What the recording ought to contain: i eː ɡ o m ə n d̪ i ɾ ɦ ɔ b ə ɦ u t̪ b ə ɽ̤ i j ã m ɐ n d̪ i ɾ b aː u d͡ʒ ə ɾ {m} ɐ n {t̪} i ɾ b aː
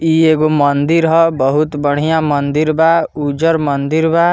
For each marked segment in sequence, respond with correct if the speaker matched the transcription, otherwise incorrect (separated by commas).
correct, incorrect